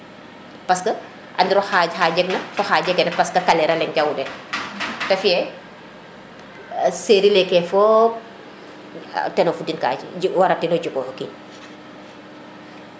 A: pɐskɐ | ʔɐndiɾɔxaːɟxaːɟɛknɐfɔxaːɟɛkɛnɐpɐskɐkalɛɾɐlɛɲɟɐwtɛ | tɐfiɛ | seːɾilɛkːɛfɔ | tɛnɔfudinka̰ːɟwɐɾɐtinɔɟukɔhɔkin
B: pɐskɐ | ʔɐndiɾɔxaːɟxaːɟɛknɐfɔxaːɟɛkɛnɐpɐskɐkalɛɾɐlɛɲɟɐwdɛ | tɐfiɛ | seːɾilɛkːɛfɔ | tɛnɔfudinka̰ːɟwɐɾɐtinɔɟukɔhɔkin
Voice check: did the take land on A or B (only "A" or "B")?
B